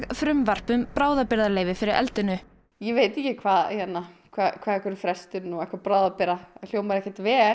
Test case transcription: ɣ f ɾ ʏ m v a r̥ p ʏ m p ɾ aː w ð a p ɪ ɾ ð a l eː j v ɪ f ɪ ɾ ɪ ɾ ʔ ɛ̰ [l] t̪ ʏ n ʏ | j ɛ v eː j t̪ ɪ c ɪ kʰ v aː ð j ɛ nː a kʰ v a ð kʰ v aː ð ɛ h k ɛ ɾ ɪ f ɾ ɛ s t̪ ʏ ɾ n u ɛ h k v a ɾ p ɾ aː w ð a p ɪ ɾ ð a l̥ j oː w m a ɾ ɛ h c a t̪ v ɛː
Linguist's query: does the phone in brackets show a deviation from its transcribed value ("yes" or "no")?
no